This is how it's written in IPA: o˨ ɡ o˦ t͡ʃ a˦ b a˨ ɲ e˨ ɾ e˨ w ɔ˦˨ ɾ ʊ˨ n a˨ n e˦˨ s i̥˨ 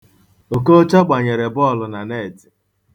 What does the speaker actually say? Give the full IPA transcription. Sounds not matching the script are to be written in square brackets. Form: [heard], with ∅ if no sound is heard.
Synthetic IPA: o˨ [k] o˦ t͡ʃ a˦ [ɡ͡b] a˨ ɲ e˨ ɾ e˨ [b] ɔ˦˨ [l] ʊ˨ n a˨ n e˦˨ [t] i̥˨